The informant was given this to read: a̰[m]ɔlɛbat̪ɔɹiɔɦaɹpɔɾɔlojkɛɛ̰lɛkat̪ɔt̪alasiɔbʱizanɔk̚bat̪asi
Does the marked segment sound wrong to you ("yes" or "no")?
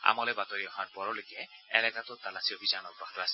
no